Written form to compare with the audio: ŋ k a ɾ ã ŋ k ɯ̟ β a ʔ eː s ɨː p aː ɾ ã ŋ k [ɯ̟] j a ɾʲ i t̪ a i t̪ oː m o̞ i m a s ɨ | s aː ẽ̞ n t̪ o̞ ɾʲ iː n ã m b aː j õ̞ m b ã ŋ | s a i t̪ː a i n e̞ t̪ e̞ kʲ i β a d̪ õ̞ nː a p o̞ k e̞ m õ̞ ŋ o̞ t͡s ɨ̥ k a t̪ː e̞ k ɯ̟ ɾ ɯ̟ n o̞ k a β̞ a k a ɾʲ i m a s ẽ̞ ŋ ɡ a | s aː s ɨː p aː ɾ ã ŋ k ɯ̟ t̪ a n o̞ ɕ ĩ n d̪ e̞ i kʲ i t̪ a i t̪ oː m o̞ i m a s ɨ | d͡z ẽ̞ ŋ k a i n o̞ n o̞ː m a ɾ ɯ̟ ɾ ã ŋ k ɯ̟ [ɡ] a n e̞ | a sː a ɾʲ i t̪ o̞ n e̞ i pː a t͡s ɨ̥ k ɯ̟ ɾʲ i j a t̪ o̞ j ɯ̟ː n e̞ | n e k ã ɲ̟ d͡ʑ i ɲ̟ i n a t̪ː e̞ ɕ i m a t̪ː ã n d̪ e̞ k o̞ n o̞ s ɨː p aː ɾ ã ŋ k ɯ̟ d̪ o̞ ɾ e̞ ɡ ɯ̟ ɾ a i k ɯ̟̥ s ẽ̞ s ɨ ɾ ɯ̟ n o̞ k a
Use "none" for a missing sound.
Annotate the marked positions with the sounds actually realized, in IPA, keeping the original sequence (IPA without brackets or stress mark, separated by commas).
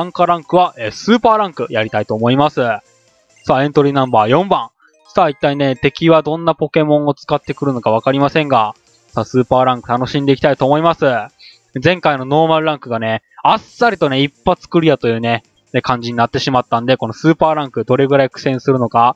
ɯ̟, ɡ